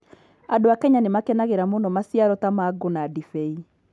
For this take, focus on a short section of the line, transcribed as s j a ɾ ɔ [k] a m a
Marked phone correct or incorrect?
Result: incorrect